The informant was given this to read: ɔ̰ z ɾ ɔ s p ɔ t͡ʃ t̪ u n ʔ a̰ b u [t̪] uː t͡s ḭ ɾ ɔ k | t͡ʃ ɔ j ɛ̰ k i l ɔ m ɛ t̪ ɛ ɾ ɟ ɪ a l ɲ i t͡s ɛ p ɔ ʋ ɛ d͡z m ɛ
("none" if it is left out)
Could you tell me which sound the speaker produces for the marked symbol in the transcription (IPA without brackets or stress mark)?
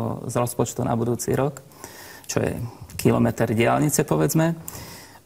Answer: d̪